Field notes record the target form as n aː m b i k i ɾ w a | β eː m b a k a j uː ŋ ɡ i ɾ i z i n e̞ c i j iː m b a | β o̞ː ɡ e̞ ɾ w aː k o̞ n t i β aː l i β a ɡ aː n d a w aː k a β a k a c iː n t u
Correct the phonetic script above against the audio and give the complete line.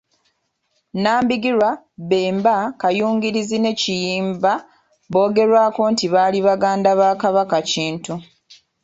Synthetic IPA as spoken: n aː m b i ɡ i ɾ w a | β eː m b a k a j uː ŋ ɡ i ɾ i z i n e̞ c i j iː m b a | β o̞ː ɡ e̞ ɾ w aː k o̞ n t i β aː l i β a ɡ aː n d a β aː k a β a k a c iː n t u